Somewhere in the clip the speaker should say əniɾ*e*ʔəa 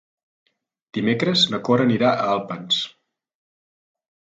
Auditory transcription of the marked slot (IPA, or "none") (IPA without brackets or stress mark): a